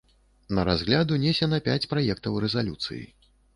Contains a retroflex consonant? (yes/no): no